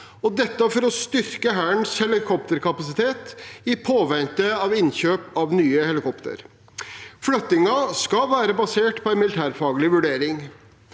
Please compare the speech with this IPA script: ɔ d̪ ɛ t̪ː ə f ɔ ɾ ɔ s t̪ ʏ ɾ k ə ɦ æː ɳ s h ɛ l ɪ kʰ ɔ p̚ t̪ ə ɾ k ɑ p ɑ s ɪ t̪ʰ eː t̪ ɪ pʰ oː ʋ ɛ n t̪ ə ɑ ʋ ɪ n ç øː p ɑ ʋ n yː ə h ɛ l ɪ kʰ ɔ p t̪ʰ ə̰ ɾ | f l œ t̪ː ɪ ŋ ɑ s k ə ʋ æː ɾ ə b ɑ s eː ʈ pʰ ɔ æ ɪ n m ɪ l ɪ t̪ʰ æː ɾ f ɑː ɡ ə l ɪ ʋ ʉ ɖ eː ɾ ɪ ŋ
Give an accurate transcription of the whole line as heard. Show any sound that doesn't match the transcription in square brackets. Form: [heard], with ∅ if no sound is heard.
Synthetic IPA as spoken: ɔ d̪ ɛ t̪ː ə f ɔ ɾ ɔ s t̪ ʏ ɾ k ə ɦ æː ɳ s h ɛ l ɪ kʰ ɔ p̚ t̪ ə ɾ k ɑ p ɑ s ɪ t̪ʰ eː t̪ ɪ pʰ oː ʋ ɛ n t̪ ə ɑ ʋ ɪ n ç øː p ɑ ʋ n yː ə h ɛ l ɪ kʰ ɔ p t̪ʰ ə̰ ɾ | f l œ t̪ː ɪ ŋ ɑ s k [ɑ] ʋ æː ɾ ə b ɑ s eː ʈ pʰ ɔ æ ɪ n m ɪ l ɪ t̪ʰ æː ɾ f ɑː ɡ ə l ɪ ʋ ʉ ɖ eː ɾ ɪ ŋ